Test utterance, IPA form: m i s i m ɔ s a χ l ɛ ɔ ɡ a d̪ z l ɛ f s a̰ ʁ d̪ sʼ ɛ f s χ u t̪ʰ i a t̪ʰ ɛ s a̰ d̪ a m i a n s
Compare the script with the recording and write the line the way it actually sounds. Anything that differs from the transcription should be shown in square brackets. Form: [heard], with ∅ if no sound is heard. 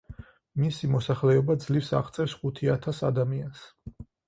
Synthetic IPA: m i s i m ɔ s a χ l ɛ ɔ [b] a d̪ z l [i] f s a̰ ʁ [t̪] sʼ ɛ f s χ u t̪ʰ i a t̪ʰ [a] s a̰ d̪ a m i a n s